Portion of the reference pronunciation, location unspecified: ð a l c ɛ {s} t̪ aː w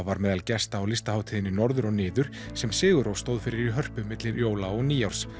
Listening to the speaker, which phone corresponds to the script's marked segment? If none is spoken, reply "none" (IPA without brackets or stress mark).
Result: s